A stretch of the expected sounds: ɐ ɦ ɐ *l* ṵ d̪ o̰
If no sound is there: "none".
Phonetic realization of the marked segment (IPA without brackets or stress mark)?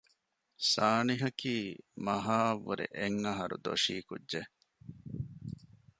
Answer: ɾ